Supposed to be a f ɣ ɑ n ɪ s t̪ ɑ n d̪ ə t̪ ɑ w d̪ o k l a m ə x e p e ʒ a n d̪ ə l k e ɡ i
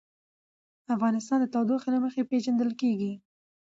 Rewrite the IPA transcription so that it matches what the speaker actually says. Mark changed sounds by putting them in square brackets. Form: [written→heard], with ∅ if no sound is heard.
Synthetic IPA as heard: a f ɣ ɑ n ɪ s t̪ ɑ n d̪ ə t̪ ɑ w d̪ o [k→x] l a m ə x e p e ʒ a n d̪ ə l k e ɡ i